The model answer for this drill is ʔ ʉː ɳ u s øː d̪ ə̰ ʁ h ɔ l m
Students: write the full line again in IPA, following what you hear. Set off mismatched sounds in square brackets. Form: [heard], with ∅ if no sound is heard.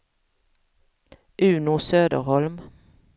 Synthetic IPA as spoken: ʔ ʉː [n] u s øː d̪ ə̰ ʁ h ɔ l m